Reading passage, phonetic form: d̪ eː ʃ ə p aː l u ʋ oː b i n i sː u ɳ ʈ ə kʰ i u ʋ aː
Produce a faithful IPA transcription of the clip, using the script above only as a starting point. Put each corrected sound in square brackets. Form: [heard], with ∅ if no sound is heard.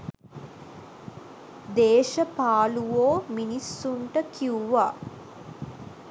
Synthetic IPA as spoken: d̪ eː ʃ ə p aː l u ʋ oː [m] i n i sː u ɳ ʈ ə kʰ i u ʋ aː